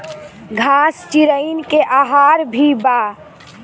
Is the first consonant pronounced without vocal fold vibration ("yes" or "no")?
no